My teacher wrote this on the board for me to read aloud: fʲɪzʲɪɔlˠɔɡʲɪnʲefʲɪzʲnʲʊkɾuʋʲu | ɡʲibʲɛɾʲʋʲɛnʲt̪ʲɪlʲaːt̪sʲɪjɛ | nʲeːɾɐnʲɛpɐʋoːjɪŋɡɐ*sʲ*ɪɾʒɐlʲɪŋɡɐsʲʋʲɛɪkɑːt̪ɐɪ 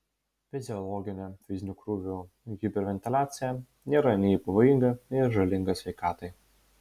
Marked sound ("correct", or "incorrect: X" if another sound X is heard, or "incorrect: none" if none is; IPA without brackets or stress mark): incorrect: none